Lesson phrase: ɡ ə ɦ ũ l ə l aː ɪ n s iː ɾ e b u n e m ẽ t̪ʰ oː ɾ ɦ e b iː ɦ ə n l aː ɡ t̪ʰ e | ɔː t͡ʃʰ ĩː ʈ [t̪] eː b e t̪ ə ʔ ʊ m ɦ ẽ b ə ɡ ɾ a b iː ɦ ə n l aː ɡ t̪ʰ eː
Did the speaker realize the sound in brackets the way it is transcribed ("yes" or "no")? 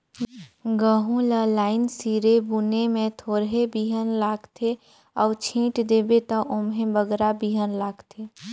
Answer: no